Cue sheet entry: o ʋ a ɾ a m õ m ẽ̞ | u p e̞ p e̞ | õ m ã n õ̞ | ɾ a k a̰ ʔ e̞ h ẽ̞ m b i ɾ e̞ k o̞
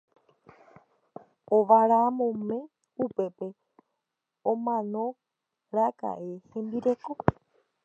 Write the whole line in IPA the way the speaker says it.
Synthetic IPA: o ʋ a ɾ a m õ m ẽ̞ | u p e̞ p e̞ | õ m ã n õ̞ | ɾ a k a̰ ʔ e̞ h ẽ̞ m b i ɾ e̞ k o̞